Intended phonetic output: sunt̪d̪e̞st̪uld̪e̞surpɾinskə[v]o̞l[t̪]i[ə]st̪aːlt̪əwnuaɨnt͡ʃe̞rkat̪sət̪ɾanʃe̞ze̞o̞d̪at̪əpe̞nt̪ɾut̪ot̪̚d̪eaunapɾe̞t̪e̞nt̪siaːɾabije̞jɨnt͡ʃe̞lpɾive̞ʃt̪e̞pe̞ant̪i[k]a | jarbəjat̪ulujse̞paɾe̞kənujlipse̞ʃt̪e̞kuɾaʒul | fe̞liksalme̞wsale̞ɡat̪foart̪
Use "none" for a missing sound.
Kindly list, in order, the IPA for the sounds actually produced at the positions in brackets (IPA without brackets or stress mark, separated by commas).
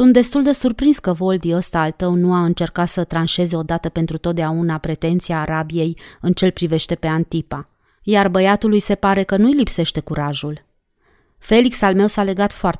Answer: v, d̪, ə, p